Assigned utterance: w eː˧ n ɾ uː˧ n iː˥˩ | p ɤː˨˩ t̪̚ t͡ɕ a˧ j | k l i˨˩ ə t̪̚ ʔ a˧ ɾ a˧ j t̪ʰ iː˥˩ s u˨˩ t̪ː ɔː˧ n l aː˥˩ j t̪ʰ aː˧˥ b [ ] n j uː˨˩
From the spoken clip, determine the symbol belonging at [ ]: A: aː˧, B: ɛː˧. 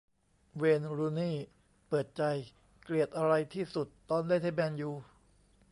B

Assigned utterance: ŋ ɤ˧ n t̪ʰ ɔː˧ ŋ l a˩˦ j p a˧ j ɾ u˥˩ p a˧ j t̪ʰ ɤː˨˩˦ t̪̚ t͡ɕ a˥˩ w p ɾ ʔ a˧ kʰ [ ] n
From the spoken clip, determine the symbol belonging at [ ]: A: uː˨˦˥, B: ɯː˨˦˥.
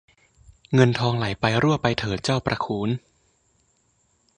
A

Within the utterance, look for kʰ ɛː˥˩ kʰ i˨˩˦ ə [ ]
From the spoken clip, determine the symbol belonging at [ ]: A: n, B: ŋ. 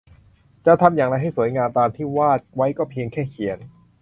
A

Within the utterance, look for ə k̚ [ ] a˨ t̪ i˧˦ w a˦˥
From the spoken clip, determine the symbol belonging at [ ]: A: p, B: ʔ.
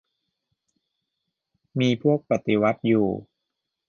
A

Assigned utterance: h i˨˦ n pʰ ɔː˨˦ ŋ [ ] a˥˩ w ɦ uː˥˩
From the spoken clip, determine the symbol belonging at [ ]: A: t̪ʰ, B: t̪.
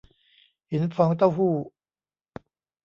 B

